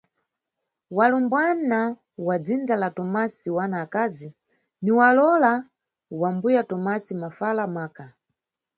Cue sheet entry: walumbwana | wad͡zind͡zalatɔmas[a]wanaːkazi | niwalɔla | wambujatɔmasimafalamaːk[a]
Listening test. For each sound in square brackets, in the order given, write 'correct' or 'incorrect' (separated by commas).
incorrect, correct